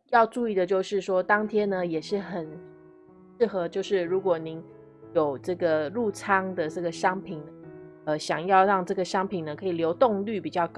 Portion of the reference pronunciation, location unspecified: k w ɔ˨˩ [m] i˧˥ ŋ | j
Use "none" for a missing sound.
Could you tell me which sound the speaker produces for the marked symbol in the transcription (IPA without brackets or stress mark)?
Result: n